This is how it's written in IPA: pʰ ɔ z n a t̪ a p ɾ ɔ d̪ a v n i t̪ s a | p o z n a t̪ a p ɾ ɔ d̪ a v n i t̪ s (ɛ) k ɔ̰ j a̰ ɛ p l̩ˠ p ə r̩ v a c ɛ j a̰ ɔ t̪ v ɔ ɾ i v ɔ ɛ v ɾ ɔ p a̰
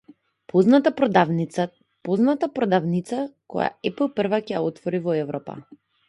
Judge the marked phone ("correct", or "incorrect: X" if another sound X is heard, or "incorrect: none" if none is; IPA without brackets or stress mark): incorrect: a